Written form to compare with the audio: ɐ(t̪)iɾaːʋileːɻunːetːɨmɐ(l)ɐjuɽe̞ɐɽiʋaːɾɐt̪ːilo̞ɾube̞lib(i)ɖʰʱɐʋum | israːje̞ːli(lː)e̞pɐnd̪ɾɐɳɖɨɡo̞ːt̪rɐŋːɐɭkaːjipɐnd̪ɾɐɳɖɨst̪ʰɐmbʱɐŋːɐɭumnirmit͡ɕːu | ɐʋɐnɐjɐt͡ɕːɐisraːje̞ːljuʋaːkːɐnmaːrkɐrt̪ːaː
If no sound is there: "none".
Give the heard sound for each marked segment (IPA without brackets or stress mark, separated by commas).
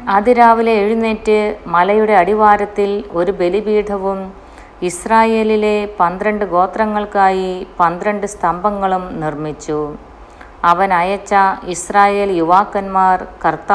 d̪, l, iː, l